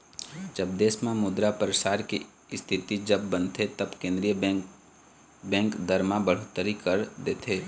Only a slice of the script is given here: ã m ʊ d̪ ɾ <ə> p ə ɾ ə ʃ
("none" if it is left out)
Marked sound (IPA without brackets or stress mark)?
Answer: a